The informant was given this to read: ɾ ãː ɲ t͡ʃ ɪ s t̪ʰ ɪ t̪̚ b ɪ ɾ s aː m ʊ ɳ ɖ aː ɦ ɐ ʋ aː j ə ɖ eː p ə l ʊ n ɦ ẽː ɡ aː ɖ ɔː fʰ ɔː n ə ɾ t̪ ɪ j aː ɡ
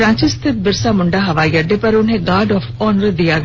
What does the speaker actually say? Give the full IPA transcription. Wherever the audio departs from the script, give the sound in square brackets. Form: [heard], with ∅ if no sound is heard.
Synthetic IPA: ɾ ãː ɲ t͡ʃ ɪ s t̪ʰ ɪ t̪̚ b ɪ ɾ s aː m ʊ ɳ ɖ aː ɦ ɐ ʋ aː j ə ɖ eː p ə [ɾ] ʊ n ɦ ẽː ɡ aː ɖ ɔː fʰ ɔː n ə ɾ [d̪] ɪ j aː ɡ

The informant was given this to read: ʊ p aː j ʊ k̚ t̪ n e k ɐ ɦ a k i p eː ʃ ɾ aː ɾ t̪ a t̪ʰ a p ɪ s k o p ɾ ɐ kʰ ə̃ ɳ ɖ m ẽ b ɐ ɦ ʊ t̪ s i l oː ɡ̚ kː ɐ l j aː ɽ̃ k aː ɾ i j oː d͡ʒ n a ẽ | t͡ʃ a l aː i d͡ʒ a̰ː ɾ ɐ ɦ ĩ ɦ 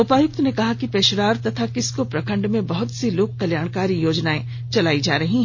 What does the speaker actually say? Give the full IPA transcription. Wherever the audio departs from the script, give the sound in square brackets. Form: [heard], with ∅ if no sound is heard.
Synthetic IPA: ʊ p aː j ʊ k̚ t̪ n e k ɐ ɦ a k i p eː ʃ ɾ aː ɾ t̪ [ɐ] t̪ʰ a [k] ɪ s k o p ɾ ɐ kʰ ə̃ ɳ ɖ m ẽ b ɐ ɦ ʊ t̪ s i l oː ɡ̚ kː ɐ l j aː ɽ̃ k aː ɾ i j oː d͡ʒ n a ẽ | t͡ʃ [ɐ] l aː i d͡ʒ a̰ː ɾ ɐ ɦ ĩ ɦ

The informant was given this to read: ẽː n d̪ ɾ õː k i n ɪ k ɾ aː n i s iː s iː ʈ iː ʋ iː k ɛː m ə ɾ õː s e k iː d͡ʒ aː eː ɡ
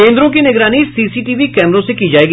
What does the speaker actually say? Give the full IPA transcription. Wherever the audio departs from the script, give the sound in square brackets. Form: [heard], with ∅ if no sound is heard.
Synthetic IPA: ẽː n d̪ ɾ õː k i n ɪ [ɡ] ɾ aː n i s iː s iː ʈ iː ʋ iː k ɛː m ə ɾ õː s e k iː d͡ʒ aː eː ɡ

